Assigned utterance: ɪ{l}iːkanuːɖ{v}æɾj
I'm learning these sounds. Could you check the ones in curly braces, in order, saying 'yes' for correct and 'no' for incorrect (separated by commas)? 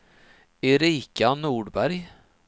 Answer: no, no